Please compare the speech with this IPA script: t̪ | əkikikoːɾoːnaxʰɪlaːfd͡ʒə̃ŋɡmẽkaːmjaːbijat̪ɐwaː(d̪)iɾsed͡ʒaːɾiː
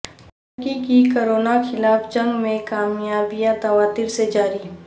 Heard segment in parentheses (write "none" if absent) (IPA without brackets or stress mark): t̪